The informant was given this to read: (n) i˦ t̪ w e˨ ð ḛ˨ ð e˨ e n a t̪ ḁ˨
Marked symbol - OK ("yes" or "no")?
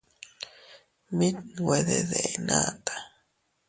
no